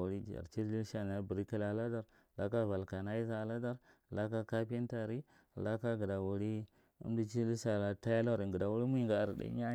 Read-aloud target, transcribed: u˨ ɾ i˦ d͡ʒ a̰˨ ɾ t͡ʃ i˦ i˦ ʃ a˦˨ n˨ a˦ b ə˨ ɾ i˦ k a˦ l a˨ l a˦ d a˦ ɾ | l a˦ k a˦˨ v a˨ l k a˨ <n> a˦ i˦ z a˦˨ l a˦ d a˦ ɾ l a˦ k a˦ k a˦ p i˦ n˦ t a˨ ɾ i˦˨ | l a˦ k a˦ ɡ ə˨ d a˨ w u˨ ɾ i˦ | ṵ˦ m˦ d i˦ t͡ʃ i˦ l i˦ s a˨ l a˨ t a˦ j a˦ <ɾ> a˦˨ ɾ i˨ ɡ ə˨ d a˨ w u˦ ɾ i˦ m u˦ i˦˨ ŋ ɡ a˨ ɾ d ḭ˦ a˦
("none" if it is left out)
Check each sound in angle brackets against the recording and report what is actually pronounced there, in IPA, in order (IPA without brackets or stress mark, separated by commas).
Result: n, l